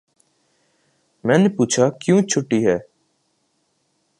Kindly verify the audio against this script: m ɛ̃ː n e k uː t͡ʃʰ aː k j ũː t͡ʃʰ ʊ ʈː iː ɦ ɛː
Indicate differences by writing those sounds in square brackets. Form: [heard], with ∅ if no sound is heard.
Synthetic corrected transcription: m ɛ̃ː n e [p] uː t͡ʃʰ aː k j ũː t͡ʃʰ ʊ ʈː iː ɦ ɛː